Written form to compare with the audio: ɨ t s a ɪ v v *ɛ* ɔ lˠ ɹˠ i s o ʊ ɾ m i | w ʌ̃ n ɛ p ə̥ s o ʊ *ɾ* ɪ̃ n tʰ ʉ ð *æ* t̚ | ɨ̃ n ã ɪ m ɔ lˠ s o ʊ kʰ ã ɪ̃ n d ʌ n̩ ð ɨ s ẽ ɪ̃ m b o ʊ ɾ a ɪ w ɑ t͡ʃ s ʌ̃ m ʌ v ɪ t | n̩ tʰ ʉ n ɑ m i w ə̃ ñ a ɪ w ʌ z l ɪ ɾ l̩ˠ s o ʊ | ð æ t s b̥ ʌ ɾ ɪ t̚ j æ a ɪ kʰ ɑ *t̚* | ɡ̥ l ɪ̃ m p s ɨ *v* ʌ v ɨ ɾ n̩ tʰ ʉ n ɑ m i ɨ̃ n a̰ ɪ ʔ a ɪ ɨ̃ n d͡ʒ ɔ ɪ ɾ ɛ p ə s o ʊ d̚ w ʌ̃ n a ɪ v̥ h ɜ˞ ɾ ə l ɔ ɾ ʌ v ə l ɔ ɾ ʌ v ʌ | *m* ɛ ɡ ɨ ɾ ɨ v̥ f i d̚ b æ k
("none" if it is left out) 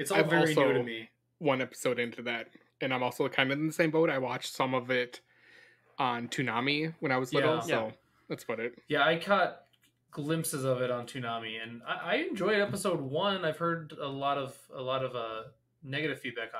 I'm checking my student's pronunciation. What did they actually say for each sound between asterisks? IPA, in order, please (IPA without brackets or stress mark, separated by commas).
ɛ, ɾ, æ, t̚, z, n